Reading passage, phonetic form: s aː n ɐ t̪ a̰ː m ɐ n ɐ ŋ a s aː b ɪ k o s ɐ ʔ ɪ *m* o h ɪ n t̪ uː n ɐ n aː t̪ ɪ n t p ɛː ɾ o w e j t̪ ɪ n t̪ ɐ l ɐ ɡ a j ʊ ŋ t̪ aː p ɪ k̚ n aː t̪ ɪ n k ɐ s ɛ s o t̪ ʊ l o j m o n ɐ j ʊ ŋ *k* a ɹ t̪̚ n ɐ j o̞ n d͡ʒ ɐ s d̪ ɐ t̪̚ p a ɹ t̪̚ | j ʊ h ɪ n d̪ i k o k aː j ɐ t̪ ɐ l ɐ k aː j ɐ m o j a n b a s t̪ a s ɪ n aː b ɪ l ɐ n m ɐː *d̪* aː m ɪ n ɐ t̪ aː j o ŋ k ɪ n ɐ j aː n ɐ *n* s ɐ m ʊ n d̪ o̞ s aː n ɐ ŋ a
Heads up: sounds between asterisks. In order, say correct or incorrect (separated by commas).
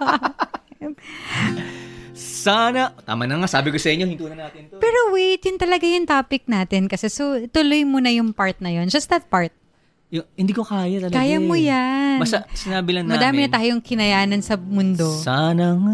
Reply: incorrect, incorrect, correct, correct